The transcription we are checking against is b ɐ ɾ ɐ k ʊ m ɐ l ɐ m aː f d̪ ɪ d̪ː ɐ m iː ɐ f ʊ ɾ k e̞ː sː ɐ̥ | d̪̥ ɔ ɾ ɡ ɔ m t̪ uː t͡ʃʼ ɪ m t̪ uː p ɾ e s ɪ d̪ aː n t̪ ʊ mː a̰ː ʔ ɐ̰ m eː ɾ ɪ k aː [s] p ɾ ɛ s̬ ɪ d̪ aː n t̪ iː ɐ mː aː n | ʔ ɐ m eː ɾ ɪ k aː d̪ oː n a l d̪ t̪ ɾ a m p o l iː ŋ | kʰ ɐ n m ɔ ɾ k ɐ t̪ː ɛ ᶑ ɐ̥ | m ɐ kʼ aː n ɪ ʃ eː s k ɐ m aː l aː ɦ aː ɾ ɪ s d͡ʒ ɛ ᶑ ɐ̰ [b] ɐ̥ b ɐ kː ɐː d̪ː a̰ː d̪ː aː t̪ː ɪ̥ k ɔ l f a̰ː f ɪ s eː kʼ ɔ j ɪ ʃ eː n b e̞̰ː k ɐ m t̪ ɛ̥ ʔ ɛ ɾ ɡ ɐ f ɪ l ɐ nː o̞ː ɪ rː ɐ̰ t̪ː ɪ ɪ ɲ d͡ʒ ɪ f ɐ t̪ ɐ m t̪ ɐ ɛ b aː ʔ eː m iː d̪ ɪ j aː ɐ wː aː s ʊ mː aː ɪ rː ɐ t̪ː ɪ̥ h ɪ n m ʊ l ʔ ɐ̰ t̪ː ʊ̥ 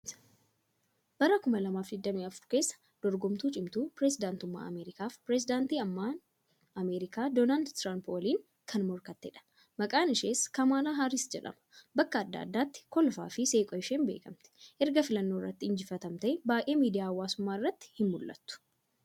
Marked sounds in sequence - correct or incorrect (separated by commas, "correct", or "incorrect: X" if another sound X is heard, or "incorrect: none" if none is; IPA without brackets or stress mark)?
incorrect: f, incorrect: m